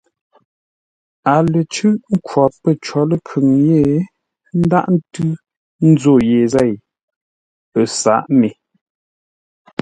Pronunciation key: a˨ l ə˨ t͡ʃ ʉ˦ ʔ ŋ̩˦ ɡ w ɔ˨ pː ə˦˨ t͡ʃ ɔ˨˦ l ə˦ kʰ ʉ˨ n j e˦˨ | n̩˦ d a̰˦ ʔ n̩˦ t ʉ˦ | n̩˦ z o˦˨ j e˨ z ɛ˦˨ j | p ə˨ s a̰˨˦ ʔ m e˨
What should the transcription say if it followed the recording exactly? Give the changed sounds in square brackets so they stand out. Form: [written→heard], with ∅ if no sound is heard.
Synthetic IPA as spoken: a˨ l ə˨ t͡ʃ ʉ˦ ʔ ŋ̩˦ [ɡ→k] w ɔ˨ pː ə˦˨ t͡ʃ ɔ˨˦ l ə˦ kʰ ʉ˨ [n→ŋ] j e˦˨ | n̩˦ d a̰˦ ʔ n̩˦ t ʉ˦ | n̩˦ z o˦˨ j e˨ z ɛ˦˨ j | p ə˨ s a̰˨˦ ʔ m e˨